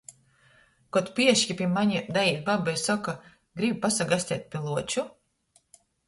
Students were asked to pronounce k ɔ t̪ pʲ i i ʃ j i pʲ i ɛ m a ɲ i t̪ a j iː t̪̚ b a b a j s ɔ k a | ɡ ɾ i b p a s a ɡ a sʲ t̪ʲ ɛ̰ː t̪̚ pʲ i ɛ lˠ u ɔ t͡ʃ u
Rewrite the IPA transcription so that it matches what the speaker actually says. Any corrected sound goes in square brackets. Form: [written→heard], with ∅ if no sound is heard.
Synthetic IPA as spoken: k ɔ t̪ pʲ i [i→ɛ] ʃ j i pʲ i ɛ m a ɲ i [t̪→d̪] a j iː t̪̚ b a b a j s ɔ k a | ɡ ɾ i b p a s a ɡ a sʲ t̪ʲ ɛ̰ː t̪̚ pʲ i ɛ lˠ u ɔ t͡ʃ u